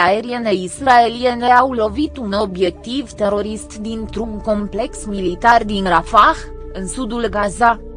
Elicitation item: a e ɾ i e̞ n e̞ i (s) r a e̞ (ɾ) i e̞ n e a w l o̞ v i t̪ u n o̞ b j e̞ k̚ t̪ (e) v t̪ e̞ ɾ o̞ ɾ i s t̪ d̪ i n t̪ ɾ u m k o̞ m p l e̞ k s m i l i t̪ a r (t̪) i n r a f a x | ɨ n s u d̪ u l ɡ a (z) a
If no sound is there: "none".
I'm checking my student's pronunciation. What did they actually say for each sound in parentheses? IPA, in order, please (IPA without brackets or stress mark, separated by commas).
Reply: s, l, i, d̪, z